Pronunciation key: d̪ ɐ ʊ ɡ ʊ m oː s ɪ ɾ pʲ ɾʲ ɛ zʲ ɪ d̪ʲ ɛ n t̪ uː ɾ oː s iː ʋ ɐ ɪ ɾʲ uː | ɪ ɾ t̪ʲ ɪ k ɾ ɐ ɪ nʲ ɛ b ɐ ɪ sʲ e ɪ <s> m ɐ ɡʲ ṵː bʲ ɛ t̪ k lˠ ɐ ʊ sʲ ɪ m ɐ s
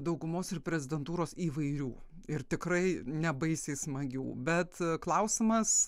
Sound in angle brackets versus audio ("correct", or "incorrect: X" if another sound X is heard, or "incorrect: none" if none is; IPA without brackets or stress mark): correct